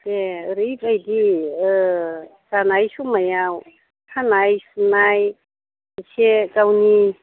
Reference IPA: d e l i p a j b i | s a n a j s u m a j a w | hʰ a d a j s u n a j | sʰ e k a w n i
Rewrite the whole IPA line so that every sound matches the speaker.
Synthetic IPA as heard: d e ɾ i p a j d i | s a n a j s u m a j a w | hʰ a n a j s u n a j | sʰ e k a w n i